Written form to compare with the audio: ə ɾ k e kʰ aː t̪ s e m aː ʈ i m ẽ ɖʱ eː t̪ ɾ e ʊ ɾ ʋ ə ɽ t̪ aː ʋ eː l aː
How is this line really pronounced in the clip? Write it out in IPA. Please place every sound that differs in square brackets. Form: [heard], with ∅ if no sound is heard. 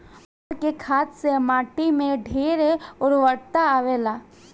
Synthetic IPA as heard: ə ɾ k e kʰ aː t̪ s e m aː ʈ i m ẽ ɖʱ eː [∅] ɾ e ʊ ɾ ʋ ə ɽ t̪ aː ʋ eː l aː